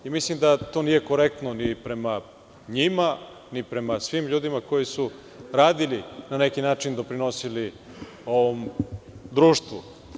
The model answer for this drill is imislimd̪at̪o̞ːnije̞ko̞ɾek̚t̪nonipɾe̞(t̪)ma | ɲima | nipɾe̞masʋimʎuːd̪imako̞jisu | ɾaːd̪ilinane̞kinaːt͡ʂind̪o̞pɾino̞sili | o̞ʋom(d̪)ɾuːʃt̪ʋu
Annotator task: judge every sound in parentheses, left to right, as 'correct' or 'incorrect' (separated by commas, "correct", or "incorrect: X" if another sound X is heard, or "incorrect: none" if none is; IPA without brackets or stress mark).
incorrect: none, correct